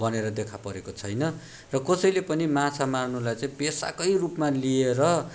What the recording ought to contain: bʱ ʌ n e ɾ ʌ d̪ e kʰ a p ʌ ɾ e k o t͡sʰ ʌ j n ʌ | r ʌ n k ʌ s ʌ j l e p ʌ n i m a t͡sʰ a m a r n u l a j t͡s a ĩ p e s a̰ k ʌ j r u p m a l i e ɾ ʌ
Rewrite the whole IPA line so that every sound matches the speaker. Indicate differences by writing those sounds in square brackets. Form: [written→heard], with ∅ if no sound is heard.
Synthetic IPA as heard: bʱ ʌ n e ɾ ʌ d̪ e kʰ a p ʌ ɾ e k o t͡sʰ ʌ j n ʌ | r ʌ [n→∅] k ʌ s ʌ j l e p ʌ n i m a t͡sʰ a m a r n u l a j t͡s a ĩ p e s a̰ k ʌ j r u p m a l i e ɾ ʌ